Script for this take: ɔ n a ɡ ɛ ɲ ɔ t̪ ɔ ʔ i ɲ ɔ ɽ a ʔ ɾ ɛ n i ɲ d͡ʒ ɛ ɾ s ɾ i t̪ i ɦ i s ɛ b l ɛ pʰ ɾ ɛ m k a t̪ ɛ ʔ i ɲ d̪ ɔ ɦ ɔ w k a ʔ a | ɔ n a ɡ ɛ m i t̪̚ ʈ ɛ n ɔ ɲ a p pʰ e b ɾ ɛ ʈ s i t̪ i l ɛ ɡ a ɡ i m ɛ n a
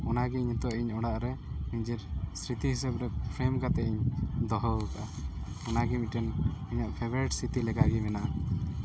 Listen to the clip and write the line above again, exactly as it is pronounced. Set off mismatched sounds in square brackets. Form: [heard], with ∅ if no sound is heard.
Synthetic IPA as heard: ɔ n a ɡ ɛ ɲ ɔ t̪ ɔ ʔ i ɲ ɔ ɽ a ʔ ɾ ɛ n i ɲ d͡ʒ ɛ ɾ s ɾ i t̪ i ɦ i s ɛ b [ɾ] ɛ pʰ ɾ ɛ m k a t̪ ɛ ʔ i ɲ d̪ ɔ ɦ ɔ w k a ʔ a | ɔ n a ɡ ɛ m i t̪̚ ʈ ɛ n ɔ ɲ a [ʔ] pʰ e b ɾ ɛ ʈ s i t̪ i l ɛ ɡ a ɡ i m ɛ n a